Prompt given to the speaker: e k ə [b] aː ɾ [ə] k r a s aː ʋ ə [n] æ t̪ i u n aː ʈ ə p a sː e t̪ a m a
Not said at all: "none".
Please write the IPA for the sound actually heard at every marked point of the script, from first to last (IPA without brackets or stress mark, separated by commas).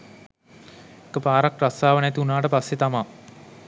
p, a, n